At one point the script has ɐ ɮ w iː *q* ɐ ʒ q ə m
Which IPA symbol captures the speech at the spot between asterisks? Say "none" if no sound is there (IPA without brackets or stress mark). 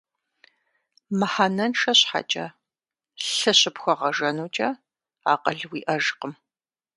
ʔ